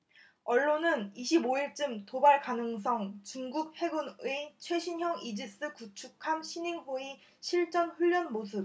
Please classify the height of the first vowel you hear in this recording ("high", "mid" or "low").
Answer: mid